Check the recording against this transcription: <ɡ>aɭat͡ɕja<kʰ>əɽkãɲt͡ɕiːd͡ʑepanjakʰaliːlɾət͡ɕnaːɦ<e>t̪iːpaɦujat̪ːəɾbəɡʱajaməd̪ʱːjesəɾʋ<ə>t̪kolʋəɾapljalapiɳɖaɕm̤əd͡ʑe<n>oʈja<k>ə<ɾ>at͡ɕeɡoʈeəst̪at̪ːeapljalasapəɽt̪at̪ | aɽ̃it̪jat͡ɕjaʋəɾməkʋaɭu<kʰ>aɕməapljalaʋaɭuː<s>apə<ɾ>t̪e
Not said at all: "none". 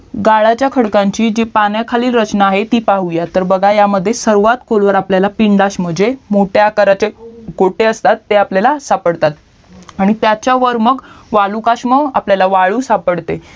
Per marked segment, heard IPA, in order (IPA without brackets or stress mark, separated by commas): ɡ, kʰ, e, a, m, k, ɾ, k, s, ɽ